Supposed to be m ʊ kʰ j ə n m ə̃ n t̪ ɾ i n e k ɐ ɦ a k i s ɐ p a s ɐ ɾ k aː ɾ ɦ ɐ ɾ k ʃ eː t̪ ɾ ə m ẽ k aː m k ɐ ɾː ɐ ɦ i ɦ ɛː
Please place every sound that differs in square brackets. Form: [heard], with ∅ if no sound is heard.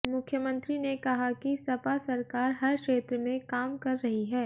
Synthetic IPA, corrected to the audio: m ʊ kʰ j ə [∅] m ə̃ n t̪ ɾ i n e k ɐ ɦ a k i s ɐ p a s ɐ ɾ k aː ɾ ɦ ɐ ɾ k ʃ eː t̪ ɾ ə m ẽ k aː m k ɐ ɾː ɐ ɦ i ɦ ɛː